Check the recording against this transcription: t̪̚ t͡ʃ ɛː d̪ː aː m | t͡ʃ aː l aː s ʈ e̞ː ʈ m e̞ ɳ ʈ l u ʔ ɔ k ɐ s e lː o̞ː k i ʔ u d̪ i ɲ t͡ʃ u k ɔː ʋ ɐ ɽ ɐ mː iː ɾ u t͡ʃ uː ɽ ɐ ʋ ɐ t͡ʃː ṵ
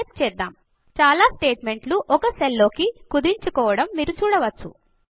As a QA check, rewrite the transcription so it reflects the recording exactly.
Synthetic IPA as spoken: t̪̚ t͡ʃ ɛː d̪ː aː m | t͡ʃ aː l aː s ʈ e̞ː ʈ m e̞ ɳ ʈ l u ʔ ɔ k ɐ s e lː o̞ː k i k u d̪ i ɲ t͡ʃ u k ɔː ʋ ɐ ɽ ɐ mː iː ɾ u t͡ʃ uː ɽ ɐ ʋ ɐ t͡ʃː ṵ